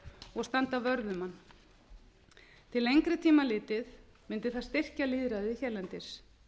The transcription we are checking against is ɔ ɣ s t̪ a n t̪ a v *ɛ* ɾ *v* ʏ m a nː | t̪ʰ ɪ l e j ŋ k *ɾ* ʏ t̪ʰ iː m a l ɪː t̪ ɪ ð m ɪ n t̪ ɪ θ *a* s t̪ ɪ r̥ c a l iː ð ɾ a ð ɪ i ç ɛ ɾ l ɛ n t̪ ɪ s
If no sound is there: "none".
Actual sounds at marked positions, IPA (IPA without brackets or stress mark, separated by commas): œ, ð, ɾ, a